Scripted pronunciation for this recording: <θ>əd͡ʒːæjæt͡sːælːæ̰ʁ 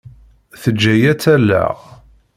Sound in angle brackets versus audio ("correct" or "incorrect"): correct